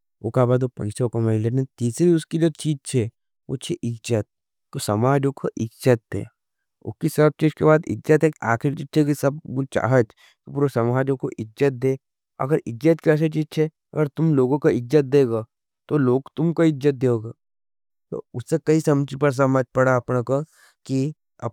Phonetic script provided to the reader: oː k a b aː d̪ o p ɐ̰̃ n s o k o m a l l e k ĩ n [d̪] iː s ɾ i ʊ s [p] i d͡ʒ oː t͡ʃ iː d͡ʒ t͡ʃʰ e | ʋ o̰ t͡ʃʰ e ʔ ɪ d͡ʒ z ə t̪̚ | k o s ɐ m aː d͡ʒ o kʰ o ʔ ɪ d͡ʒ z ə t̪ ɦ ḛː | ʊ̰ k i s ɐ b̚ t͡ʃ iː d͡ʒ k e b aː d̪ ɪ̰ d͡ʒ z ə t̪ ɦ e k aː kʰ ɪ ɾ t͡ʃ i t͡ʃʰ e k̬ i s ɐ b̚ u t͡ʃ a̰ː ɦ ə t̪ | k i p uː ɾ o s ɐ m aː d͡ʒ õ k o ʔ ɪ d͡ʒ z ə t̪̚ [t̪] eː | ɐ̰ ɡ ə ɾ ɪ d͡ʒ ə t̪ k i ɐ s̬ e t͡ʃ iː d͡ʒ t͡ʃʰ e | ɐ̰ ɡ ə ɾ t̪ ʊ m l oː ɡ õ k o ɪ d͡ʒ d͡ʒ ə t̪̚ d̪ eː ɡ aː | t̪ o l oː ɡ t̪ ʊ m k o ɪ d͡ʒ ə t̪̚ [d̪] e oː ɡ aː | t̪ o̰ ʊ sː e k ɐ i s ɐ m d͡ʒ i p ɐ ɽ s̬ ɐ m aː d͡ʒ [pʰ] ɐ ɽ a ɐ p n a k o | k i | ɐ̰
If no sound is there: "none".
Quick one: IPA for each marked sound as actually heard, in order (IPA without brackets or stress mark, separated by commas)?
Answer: t̪, k, d̪, d̪, p